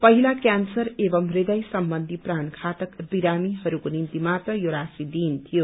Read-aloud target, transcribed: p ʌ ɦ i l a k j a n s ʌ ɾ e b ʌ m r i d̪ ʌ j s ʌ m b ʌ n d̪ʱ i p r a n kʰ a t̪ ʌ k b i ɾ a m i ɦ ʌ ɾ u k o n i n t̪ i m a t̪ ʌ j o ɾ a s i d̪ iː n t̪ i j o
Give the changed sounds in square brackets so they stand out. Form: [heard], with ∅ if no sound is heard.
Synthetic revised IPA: p ʌ ɦ i l a k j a n s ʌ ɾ e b ʌ m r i d̪ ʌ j s ʌ m b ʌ n d̪ʱ i p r a n kʰ a t̪ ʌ k b i ɾ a m i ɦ ʌ ɾ u k o n i n t̪ i m a t̪ ʌ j o ɾ a s i d̪ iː n [t̪ʰ] i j o